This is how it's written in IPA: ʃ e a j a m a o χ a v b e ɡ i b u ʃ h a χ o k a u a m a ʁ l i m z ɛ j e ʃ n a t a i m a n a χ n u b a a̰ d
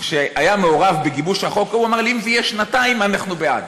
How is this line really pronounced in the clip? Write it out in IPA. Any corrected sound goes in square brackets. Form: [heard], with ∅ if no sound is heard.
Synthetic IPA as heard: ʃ e a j a m [e] o [ʁ] a v b e ɡ i b u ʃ h a χ o k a u a m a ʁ l i m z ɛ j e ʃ n a t a i m a n a χ n u b [e] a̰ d